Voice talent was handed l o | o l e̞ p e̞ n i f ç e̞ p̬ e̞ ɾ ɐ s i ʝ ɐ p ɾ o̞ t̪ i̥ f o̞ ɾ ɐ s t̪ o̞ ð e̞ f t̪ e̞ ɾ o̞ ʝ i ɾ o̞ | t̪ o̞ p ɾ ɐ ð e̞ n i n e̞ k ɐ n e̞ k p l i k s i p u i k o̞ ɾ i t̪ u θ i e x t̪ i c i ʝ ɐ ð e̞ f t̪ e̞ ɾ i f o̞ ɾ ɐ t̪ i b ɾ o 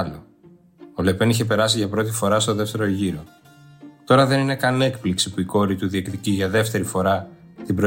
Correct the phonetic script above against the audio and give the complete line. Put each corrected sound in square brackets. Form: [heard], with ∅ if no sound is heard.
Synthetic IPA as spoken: l o | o l e̞ p e̞ n i [∅] ç e̞ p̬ e̞ ɾ ɐ s i ʝ ɐ p ɾ o̞ t̪ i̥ f o̞ ɾ ɐ s t̪ o̞ ð e̞ f t̪ e̞ ɾ o̞ ʝ i ɾ o̞ | t̪ o̞ [∅] ɾ ɐ ð e̞ n i n e̞ k ɐ n e̞ k p l i k s i p u i k o̞ ɾ i t̪ u [ð] i e [k] t̪ i c i ʝ ɐ ð e̞ f t̪ e̞ ɾ i f o̞ ɾ ɐ t̪ i b ɾ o